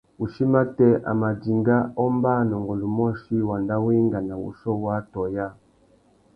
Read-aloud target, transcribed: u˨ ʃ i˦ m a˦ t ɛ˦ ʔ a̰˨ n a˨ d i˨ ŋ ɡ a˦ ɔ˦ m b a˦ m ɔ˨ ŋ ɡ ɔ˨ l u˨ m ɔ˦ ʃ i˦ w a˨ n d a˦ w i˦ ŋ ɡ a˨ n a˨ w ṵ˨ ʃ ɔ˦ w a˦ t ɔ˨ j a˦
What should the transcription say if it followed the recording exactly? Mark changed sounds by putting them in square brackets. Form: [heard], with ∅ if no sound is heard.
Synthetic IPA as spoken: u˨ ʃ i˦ m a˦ t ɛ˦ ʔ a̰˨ [m] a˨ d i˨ ŋ ɡ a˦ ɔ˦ m b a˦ [n] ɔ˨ ŋ ɡ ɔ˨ l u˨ m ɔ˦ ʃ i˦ w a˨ n d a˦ w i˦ ŋ ɡ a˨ n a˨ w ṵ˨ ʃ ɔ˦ w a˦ t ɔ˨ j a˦